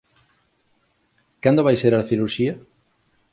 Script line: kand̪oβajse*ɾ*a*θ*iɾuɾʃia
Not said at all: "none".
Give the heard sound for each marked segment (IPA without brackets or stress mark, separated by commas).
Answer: ɾ, θ